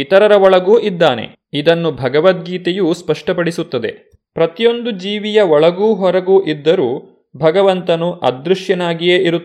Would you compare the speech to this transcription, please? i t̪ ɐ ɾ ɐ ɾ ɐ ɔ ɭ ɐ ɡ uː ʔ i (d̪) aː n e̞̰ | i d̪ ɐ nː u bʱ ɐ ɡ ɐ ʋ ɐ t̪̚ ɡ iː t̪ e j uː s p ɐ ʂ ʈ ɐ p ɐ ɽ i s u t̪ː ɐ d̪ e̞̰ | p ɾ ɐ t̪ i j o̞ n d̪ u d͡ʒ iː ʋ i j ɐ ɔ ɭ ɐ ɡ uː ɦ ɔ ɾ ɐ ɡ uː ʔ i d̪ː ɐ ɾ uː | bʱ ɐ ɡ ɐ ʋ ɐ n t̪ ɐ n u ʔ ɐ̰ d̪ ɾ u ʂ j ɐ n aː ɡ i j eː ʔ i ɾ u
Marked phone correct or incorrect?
incorrect